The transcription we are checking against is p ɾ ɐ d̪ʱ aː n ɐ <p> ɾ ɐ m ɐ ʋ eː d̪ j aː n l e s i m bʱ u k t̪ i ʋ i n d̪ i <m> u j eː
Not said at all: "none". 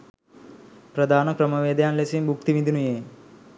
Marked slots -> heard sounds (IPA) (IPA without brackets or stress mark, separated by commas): k, n